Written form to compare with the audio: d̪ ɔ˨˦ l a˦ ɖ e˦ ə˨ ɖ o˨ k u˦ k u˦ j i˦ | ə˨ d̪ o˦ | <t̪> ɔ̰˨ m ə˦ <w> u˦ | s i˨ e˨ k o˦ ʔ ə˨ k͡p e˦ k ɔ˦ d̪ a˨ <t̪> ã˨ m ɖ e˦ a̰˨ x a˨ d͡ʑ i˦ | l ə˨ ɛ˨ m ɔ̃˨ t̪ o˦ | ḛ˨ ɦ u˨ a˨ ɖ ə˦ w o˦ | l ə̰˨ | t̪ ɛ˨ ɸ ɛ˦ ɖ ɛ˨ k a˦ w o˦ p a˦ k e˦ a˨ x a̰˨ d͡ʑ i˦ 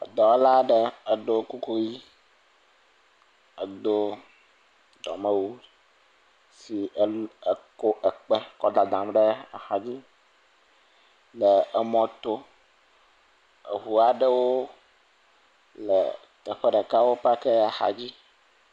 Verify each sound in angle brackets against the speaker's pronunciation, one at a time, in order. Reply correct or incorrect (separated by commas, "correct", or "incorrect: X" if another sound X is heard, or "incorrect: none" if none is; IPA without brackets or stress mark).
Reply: incorrect: d̪, correct, incorrect: d̪